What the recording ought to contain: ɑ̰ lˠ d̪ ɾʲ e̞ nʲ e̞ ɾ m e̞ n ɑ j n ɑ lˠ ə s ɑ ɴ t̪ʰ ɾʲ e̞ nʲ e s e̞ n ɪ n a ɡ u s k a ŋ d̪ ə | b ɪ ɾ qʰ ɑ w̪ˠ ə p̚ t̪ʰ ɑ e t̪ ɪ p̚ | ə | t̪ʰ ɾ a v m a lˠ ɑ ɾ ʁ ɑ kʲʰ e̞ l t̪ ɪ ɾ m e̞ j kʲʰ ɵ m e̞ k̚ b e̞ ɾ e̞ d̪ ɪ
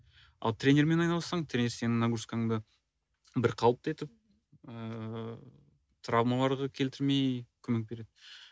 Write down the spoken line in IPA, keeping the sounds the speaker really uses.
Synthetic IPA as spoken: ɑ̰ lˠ t̪ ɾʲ e̞ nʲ e̞ ɾ m e̞ n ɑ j n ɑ lˠ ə s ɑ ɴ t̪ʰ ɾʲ e̞ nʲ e s e̞ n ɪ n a ɡ u s k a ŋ d̪ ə | b ɪ ɾ qʰ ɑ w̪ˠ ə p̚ t̪ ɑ e t̪ ɪ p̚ | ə | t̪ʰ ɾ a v m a lˠ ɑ ɾ ʁ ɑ kʲʰ e̞ l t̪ ɪ ɾ m e̞ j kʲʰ ɵ m e̞ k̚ b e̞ ɾ e̞ d̪ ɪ

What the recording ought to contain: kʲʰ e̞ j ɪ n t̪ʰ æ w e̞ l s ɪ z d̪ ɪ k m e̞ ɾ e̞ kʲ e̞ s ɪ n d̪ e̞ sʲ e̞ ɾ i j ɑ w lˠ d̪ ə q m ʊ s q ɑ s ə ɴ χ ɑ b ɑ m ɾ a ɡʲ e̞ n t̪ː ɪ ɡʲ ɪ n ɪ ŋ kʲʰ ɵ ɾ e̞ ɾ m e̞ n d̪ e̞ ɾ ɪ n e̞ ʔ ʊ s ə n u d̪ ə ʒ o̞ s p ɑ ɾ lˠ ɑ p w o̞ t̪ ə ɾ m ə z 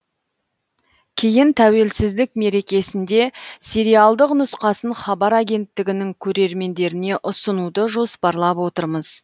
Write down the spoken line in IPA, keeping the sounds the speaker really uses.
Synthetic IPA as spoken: kʲʰ e̞ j ɪ n t̪ʰ æ w e̞ l s ɪ z d̪ ɪ k m e̞ ɾ e̞ kʲ e̞ s ɪ n d̪ e̞ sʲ e̞ ɾ i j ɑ lˠ d̪ ə q n ʊ s q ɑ s ə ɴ χ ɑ b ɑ ɾ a ɡʲ e̞ n t̪ː ɪ ɡʲ ɪ n ɪ ŋ kʲʰ ɵ ɾ e̞ ɾ m e̞ n d̪ e̞ ɾ ɪ n e̞ ʔ ʊ s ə n u d̪ ə ʒ o̞ s p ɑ ɾ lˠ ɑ p w o̞ t̪ ə ɾ m ə z

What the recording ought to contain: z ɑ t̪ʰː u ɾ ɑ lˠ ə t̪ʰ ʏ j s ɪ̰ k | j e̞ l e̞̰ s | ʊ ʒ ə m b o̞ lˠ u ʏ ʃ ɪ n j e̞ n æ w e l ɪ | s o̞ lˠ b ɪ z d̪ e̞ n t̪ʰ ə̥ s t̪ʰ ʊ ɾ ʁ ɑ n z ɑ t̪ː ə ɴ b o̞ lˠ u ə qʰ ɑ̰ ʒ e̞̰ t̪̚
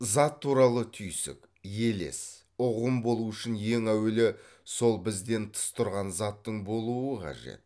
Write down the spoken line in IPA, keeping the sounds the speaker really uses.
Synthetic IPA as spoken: z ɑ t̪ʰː u ɾ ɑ lˠ ə t̪ʰ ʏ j s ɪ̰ k | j e̞ l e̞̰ s | ʊ ʁ ə m b o̞ lˠ u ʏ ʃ ɪ n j e̞ ŋ æ w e l ɪ | s o̞ lˠ b ɪ z d̪ e̞ n t̪ʰ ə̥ s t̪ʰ ʊ ɾ ʁ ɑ n z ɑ t̪ː ə ɴ b o̞ lˠ u ə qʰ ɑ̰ ʒ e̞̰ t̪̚

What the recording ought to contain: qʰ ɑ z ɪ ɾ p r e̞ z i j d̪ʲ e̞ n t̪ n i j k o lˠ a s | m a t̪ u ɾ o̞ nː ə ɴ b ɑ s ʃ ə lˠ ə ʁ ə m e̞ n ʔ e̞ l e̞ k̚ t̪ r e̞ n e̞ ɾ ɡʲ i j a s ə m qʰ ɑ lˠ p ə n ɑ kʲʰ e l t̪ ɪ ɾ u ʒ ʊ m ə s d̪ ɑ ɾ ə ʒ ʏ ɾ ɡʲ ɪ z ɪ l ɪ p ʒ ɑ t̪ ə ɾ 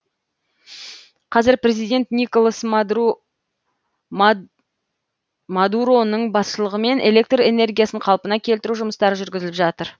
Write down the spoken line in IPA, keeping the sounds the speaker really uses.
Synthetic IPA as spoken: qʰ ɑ z ɪ ɾ p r e̞ z i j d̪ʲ e̞ n t̪ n i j k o lˠ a s | m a d̪ u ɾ o̞ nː ə ɴ b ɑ s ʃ ə lˠ ə ʁ ə m e̞ n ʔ e̞ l e̞ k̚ t̪ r e̞ n e̞ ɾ ɡʲ i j a s ə ɴ qʰ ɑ lˠ p ə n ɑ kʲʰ e l t̪ ɪ ɾ u ʒ ʊ m ə s t̪ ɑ ɾ ə ʒ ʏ ɾ ɡʲ ɪ z ɪ l ɪ p ʒ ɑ t̪ ə ɾ

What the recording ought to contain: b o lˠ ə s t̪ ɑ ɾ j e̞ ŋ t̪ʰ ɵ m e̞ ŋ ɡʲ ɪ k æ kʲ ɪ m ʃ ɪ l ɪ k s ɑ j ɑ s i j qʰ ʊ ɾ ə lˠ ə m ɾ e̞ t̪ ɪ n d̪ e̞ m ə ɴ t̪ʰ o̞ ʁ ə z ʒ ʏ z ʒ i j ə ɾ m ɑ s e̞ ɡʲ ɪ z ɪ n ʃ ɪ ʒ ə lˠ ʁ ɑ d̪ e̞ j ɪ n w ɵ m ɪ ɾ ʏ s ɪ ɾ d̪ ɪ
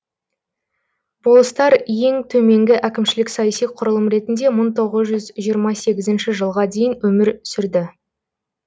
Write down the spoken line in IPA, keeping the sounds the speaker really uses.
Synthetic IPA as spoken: b o lˠ ə s t̪ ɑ ɾ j e̞ ŋ t̪ʰ ɵ m e̞ ŋ ɡʲ ɪ ʔ æ kʲ ɪ m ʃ ɪ l ɪ k s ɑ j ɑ s i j qʰ ʊ ɾ ə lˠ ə m ɾ e̞ t̪ ɪ n d̪ e̞ m ə ɴ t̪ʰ o̞ ʁ ə z ʒ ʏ z ʒ i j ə ɾ m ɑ s e̞ ɡʲ ɪ z ɪ n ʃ ɪ ʒ ə lˠ ʁ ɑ d̪ e̞ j ɪ n w ɵ m ɪ ɾ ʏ s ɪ ɾ d̪ ɪ

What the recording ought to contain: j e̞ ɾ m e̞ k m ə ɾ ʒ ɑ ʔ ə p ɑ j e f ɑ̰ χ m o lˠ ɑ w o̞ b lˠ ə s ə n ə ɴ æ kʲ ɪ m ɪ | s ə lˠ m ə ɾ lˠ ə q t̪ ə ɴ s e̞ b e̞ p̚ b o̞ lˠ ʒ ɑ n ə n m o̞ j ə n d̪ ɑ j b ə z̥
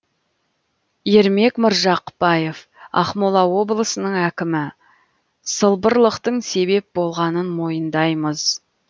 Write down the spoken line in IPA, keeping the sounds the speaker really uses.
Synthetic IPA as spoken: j e̞ ɾ m e̞ k m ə ɾ ʒ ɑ q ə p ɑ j e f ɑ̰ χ m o lˠ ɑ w o̞ b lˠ ə s ə n ə ɴ æ kʲ ɪ m ɪ | s ə lˠ b ə ɾ lˠ ə q t̪ ə ɴ s e̞ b e̞ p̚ b o̞ lˠ ʁ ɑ n ə n m o̞ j ə n d̪ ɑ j m ə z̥

